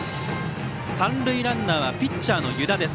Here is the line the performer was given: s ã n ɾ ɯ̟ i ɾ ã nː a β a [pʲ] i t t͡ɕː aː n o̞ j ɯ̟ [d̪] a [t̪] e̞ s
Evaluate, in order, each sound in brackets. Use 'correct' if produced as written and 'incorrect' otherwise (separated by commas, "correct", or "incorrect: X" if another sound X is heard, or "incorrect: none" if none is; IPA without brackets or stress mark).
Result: correct, correct, incorrect: d̪